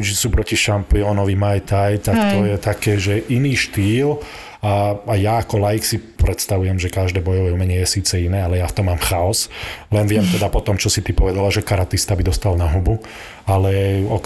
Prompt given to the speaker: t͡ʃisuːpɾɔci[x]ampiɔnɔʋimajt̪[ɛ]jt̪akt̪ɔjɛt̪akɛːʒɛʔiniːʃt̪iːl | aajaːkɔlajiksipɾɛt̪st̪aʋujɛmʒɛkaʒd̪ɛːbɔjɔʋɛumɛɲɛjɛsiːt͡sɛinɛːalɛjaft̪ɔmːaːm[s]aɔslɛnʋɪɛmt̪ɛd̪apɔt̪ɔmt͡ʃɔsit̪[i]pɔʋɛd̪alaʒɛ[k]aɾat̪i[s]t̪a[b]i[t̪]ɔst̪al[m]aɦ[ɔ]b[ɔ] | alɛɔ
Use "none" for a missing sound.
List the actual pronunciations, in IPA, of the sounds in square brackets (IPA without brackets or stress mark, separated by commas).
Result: ʃ, a, x, i, k, s, b, d̪, n, u, u